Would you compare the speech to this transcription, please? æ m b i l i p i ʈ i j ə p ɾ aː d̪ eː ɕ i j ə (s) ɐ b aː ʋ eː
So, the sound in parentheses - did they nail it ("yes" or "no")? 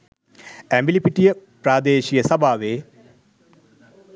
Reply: yes